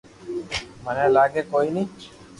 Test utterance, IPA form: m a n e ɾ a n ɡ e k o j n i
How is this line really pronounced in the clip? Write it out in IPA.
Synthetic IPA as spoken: m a n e l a ɡ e k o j n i